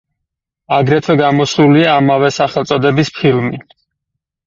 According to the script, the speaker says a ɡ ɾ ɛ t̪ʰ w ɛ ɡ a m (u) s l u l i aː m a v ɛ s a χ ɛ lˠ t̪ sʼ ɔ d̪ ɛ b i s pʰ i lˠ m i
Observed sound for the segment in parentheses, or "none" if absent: ɔ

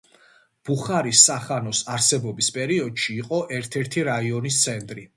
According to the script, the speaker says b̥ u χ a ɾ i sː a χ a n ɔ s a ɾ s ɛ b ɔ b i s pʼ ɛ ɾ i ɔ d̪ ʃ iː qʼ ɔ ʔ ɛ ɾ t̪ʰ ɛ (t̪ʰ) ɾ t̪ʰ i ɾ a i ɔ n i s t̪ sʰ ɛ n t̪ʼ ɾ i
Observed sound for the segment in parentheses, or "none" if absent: none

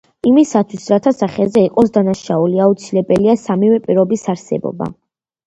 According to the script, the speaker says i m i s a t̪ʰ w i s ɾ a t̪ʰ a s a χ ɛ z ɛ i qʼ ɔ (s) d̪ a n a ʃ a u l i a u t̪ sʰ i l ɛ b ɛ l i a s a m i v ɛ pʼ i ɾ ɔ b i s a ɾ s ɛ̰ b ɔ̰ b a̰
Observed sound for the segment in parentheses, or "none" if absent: s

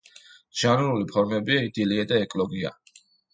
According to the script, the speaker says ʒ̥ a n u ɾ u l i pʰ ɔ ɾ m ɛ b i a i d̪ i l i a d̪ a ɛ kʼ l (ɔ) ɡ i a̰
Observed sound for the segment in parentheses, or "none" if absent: ɔ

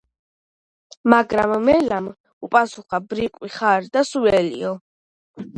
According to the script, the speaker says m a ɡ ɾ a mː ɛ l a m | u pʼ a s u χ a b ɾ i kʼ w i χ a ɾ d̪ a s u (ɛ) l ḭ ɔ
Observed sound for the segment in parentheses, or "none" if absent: ɛ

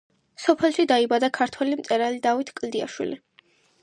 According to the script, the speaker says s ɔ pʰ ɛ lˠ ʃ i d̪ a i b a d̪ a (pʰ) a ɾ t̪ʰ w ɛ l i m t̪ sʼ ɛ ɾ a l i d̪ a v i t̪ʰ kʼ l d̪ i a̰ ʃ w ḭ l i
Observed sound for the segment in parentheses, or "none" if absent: kʰ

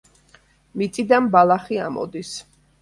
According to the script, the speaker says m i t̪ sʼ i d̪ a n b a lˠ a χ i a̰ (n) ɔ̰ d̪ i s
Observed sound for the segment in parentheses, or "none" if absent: m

